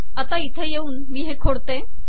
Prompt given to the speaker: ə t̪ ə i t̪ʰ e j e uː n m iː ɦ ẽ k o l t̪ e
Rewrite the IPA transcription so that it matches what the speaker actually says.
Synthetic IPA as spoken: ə t̪ a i t̪ʰ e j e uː n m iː ɦ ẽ kʰ o ɽ t̪ e